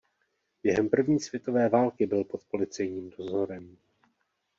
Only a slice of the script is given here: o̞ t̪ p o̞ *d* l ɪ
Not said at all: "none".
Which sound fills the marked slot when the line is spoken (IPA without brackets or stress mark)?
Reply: none